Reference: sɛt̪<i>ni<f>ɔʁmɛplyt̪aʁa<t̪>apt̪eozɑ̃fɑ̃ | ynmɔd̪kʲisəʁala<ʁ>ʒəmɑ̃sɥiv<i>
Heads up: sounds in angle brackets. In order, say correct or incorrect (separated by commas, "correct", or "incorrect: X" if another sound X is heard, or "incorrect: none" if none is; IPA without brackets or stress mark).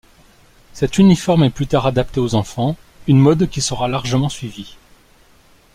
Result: incorrect: y, correct, incorrect: d̪, correct, correct